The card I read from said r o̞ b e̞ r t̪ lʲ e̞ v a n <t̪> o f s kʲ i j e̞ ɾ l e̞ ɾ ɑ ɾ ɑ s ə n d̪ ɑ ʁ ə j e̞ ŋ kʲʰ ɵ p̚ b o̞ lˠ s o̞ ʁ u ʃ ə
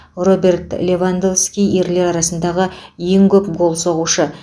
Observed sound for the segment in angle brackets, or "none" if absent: d̪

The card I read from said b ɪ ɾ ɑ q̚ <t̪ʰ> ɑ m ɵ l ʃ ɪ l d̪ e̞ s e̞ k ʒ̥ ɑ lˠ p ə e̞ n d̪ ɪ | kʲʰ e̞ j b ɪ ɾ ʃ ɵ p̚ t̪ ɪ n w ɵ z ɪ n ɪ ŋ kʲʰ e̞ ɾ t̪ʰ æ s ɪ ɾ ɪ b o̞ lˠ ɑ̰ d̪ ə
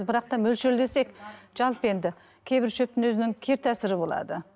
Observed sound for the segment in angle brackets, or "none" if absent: t̪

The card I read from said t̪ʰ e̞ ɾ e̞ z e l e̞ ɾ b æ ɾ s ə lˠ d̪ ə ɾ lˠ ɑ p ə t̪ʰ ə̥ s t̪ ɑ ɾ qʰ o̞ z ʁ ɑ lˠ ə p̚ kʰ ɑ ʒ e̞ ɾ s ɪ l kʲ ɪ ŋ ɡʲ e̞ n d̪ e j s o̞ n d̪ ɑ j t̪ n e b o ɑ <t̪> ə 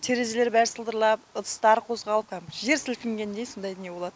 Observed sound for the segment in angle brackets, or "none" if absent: d̪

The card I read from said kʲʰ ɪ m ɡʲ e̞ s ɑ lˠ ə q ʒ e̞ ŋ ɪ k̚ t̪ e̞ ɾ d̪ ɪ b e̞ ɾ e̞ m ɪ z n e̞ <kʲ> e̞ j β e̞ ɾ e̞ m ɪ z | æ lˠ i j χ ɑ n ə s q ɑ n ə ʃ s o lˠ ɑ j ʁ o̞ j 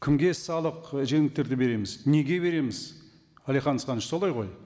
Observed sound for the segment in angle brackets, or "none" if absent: ɡʲ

